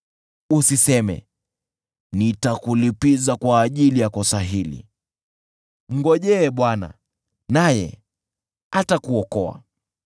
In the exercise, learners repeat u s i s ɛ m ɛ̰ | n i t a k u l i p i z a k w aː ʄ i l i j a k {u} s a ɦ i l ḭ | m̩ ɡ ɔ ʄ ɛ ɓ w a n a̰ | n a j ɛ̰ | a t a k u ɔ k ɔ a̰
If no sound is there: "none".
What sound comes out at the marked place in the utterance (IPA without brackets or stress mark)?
ɔ